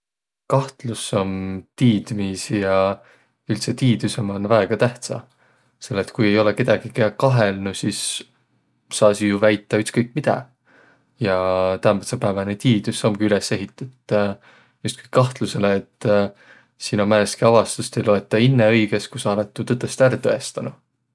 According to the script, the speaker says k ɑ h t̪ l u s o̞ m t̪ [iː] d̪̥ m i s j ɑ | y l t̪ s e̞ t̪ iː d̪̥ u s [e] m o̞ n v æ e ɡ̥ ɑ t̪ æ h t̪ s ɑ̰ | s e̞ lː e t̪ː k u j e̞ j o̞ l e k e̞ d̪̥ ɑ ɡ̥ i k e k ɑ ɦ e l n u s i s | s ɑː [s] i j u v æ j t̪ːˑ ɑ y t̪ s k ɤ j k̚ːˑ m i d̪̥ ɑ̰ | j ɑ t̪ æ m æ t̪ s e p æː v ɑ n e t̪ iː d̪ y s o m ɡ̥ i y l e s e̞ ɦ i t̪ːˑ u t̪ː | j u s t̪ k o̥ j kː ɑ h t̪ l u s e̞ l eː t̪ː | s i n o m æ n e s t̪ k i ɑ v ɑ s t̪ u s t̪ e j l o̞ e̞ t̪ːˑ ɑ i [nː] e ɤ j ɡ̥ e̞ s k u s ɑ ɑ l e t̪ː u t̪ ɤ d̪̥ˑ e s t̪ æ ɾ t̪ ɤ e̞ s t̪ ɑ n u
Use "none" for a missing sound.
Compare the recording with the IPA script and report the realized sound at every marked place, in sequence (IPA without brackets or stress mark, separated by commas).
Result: iː, e, s, nː